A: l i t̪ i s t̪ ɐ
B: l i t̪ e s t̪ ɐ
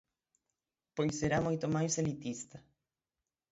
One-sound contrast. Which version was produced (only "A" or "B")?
A